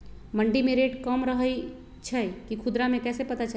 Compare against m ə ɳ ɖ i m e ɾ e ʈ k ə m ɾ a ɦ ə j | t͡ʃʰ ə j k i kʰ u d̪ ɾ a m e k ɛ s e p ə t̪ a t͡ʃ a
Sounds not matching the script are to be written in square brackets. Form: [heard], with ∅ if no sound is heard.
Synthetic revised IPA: m ə ɳ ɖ i m e ɾ e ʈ k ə m ɾ [ə] ɦ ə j | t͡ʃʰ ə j k i kʰ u d̪ ɾ a m e k ɛ s e p ə t̪ a t͡ʃ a